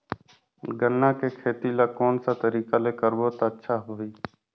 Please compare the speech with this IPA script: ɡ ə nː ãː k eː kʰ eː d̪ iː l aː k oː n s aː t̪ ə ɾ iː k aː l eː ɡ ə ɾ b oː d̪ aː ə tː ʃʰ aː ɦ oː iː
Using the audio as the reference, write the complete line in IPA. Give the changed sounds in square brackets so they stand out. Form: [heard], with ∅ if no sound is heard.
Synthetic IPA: ɡ ə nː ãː k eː kʰ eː [t̪] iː l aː k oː n s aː t̪ ə ɾ iː k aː l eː [k] ə ɾ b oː [t̪] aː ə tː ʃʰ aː ɦ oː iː